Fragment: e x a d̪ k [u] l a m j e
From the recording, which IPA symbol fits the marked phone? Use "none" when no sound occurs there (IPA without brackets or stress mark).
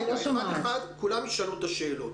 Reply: u